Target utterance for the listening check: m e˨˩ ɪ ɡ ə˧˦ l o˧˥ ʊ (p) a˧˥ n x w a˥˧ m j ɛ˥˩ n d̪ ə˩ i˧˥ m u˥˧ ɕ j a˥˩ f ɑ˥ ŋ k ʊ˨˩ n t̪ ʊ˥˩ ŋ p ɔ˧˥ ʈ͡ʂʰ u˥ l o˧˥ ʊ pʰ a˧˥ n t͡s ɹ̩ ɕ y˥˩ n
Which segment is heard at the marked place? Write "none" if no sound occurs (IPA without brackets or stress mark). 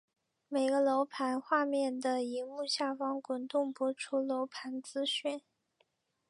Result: pʰ